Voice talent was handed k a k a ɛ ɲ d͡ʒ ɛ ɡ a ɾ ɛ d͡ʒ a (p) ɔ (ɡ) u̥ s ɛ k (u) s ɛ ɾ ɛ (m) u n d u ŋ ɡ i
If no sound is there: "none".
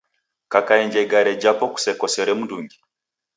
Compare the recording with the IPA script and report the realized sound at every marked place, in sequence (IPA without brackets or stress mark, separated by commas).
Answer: p, k, ɔ, m